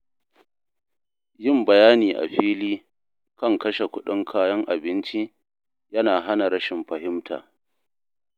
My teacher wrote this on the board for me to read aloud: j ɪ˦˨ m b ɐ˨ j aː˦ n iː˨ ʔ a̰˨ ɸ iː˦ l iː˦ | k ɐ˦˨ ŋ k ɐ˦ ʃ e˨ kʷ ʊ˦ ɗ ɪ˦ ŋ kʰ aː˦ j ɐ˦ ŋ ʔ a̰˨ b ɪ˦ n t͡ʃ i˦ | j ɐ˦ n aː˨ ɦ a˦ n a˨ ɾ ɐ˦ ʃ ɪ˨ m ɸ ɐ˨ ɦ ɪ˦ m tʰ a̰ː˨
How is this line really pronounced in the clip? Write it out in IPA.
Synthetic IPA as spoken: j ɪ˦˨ m b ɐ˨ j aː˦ n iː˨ ʔ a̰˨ ɸ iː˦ l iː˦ | k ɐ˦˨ ŋ k ɐ˦ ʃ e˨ kʷ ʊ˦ ɗ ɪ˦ ŋ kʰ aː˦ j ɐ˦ ŋ ʔ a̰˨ b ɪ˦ n t͡ʃ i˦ | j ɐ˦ n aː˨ ɦ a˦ n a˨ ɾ ɐ˦ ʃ ɪ˨ m ɸ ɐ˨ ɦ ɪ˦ m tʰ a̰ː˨